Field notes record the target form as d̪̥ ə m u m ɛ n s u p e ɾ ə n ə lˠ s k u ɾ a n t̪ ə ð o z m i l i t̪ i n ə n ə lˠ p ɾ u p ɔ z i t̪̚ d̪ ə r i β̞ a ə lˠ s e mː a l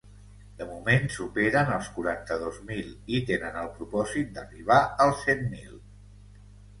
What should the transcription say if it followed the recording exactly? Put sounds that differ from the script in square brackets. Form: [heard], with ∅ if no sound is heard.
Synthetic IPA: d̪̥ ə m u m [e] n s u p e ɾ ə n ə lˠ s k u ɾ a n t̪ ə ð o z m i l i t̪ [e] n ə n ə lˠ p ɾ u p ɔ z i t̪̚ d̪ ə r i β̞ a ə lˠ s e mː [i] l